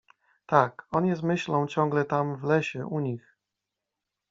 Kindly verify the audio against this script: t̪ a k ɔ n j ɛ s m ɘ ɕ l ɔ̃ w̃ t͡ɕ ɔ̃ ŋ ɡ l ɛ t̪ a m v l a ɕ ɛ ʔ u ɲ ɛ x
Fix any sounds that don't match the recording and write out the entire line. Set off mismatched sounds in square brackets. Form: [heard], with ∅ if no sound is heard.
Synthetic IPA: t̪ a k ɔ n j ɛ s m ɘ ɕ l ɔ̃ w̃ t͡ɕ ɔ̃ ŋ ɡ l ɛ t̪ a m v l [ɛ] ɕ ɛ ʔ u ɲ [i] x